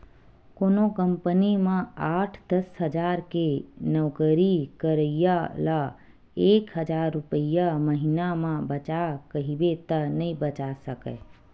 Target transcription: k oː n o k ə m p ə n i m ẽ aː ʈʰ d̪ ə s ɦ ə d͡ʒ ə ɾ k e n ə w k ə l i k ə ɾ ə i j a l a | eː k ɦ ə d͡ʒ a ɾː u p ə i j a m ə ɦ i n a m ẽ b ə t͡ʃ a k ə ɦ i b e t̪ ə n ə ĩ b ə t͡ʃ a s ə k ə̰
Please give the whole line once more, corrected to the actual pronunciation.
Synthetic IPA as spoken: k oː n o k ə m p ə n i m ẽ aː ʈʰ d̪ ə s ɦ ə d͡ʒ a ɾ k e n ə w k ə ɾ i k ə ɾ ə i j a l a | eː k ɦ ə d͡ʒ a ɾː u p ə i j a m ə ɦ i n a m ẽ b ə t͡ʃ a k ə ɦ i b e t̪ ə n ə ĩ b ə t͡ʃ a s ə k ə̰